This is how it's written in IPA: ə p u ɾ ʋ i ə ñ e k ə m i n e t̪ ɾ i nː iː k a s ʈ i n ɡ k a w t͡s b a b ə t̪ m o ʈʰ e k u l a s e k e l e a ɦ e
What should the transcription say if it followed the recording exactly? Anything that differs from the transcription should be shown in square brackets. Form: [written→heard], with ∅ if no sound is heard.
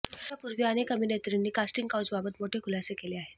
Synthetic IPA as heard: [ə→a] p u ɾ ʋ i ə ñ e k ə m i n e t̪ ɾ i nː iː k a s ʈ i [n→ŋ] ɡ k a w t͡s b a b ə t̪ m o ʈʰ e k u l a s e k e l e a ɦ e